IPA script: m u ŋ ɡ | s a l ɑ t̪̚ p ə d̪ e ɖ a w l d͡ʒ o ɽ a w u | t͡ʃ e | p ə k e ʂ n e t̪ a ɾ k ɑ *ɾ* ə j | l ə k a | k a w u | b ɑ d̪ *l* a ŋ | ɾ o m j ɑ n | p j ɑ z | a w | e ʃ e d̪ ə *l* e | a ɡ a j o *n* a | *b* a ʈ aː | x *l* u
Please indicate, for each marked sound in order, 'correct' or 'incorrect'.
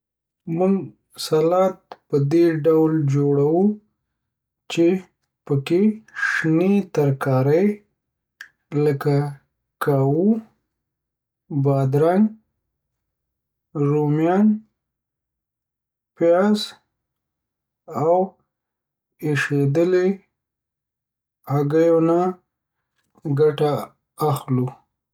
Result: correct, incorrect: ɾ, correct, correct, incorrect: ɡ, correct

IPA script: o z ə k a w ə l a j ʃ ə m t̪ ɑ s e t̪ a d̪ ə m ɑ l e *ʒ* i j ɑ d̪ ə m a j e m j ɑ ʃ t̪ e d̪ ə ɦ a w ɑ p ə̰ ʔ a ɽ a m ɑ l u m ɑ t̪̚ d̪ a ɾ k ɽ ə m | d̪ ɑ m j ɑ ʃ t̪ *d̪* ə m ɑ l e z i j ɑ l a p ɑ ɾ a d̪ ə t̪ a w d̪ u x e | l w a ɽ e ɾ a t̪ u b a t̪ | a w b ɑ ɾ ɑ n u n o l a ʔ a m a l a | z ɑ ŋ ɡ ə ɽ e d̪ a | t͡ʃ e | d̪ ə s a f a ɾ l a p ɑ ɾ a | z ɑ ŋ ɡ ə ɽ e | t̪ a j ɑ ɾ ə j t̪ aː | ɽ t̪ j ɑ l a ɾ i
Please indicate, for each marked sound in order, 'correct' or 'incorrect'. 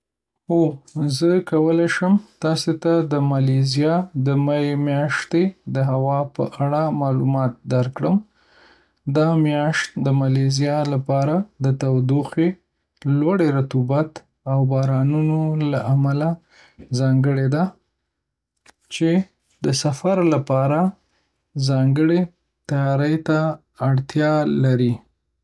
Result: incorrect: z, correct

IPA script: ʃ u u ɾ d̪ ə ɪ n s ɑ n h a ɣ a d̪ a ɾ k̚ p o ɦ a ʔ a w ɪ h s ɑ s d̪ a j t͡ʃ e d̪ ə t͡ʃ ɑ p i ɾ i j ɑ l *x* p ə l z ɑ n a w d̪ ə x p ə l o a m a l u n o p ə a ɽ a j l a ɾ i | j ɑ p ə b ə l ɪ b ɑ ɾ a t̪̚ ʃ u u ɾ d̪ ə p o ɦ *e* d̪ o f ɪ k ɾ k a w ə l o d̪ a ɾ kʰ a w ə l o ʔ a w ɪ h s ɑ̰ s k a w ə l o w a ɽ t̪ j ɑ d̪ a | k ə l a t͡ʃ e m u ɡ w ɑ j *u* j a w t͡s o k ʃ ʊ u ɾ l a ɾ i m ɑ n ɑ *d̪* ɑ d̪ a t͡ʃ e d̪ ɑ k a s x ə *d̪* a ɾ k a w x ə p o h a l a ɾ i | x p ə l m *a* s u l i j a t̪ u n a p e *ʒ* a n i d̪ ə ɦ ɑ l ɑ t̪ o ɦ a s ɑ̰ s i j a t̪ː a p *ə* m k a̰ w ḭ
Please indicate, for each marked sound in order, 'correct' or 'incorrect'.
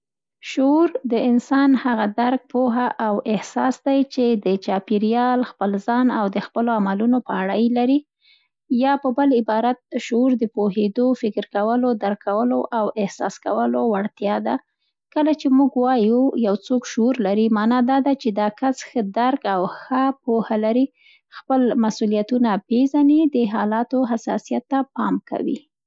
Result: correct, correct, correct, correct, correct, correct, incorrect: z, incorrect: ɑ

